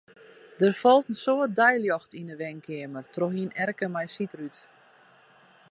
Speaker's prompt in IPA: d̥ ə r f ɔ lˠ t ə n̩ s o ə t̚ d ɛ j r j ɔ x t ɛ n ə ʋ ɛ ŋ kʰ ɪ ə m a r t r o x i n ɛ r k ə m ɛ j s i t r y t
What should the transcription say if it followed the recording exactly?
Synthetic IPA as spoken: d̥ ə r f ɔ lˠ t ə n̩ s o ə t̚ d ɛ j l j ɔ x t i n ə ʋ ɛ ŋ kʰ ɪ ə m ə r t r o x i n ɛ r k ə m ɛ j s i t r y t